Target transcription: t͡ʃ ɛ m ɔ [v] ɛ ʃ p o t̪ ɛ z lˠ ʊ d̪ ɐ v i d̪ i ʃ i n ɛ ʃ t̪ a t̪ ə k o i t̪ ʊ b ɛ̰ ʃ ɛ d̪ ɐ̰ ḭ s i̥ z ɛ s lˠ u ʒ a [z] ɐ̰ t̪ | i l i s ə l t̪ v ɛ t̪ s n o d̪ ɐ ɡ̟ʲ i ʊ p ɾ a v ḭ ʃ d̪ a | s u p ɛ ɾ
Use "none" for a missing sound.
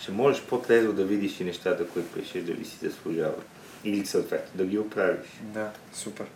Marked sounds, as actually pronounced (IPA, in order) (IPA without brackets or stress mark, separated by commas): ʒ, v